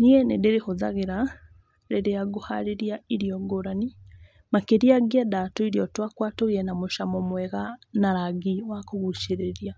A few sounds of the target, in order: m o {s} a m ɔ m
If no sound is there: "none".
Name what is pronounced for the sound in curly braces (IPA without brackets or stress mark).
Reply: ʃ